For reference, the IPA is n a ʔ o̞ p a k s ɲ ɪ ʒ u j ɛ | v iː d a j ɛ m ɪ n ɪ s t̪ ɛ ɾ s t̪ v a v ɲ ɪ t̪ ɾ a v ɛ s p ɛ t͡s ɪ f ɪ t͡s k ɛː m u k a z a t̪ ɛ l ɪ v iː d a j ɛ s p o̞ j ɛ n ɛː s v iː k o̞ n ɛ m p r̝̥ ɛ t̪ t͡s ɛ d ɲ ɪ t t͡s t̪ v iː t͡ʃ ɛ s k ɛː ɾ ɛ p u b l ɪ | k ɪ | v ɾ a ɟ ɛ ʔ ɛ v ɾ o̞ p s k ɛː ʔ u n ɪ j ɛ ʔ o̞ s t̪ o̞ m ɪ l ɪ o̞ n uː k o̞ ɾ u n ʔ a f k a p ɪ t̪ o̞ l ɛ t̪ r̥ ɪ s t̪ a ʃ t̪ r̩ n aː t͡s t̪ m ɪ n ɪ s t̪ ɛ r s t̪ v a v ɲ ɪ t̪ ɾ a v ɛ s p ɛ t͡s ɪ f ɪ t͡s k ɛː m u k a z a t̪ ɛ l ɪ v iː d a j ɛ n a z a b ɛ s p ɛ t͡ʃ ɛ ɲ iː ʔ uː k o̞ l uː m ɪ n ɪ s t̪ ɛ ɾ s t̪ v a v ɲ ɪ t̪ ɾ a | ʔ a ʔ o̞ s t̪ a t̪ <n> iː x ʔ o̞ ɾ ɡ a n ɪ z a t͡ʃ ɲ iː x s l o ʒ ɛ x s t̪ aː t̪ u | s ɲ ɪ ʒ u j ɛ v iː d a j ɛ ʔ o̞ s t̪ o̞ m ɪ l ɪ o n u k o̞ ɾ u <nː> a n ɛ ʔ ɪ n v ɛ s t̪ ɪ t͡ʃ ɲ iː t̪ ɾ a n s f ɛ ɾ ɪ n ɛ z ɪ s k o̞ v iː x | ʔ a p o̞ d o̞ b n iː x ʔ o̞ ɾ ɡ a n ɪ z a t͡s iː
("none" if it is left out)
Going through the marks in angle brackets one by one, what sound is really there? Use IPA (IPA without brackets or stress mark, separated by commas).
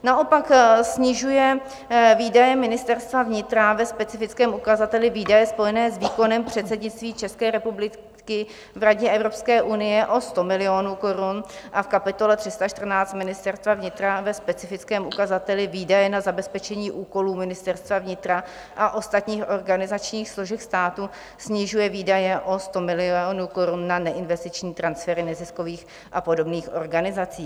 ɲ, nː